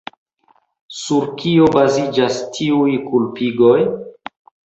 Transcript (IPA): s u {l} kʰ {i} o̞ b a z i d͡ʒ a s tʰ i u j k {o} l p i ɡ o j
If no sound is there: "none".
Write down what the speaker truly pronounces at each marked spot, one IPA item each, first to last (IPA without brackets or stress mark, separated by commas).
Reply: ɾ, i, u